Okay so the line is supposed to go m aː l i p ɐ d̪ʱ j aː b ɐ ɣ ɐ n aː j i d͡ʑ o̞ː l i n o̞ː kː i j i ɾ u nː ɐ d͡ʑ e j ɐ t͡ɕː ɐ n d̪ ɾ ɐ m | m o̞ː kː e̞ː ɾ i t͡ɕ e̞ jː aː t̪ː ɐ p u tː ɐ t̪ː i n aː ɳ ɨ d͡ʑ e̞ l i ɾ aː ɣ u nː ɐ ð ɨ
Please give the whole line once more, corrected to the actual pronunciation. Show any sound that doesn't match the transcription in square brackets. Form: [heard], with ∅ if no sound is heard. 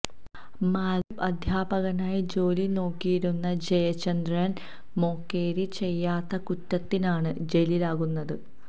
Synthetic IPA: m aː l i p ɐ d̪ʱ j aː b ɐ ɣ ɐ n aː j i d͡ʑ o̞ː l i n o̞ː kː i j i ɾ u nː ɐ d͡ʑ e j ɐ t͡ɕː ɐ n d̪ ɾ ɐ [n] | m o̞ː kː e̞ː ɾ i t͡ɕ e̞ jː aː t̪ː ɐ [k] u tː ɐ t̪ː i n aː ɳ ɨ d͡ʑ e̞ l i [l] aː ɣ u nː ɐ ð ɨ